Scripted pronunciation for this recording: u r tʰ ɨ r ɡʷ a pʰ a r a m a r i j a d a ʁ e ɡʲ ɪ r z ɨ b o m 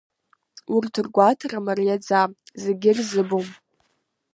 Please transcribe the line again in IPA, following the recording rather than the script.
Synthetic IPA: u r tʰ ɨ r ɡʷ a tʰ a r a m a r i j a d͡z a z e ɡʲ ɪ r z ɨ b o m